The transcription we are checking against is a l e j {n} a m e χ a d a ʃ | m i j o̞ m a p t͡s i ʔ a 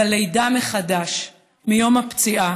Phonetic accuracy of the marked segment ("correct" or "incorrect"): incorrect